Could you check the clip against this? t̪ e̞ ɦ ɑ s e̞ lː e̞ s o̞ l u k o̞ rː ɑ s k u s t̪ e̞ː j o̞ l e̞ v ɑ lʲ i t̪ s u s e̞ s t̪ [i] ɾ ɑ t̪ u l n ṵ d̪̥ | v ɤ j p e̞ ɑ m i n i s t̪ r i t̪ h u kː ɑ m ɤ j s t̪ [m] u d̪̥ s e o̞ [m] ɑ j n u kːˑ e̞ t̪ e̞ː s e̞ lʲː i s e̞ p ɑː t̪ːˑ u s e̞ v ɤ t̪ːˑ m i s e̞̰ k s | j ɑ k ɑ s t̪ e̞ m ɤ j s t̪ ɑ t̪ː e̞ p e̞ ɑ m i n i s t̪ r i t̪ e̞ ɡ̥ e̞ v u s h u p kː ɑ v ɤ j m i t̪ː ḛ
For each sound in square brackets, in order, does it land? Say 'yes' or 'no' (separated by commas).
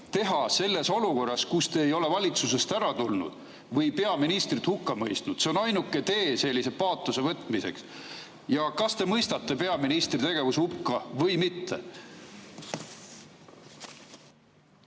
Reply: no, no, no